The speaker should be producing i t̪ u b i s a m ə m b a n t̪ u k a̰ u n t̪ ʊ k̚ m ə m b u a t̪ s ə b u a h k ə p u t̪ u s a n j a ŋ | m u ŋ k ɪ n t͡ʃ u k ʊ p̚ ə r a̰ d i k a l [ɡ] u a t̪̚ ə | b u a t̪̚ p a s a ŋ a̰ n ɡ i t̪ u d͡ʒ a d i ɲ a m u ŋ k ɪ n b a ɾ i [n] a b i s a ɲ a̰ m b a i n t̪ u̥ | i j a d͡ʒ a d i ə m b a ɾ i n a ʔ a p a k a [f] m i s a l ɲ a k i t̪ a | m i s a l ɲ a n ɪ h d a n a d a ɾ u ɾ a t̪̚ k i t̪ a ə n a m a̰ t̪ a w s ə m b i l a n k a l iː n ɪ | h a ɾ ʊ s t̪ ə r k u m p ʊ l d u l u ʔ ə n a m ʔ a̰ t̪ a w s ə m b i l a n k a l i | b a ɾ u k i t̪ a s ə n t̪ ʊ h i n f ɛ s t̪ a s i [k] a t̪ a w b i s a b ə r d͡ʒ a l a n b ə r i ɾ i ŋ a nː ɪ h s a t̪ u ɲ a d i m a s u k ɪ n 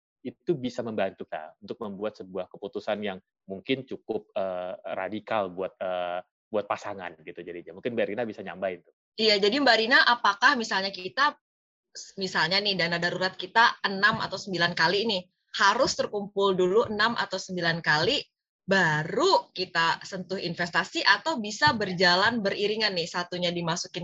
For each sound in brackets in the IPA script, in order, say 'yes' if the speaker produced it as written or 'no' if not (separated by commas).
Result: no, yes, no, no